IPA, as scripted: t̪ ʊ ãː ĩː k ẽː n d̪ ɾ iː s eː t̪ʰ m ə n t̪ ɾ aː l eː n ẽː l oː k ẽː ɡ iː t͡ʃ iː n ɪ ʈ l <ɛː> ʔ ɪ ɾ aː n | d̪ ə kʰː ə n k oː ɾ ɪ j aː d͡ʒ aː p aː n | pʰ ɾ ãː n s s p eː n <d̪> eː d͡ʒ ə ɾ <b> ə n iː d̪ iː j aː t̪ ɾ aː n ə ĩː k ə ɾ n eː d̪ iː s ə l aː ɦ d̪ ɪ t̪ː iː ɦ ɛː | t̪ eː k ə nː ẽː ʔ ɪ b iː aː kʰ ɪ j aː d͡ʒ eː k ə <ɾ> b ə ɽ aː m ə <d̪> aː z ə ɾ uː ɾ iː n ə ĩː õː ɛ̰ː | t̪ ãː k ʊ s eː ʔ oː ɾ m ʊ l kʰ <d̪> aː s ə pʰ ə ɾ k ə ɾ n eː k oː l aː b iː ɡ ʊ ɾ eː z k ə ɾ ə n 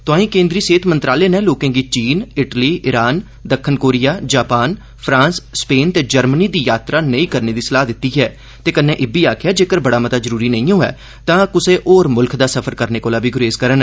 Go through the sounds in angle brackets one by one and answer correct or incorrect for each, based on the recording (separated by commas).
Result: incorrect, incorrect, incorrect, correct, incorrect, correct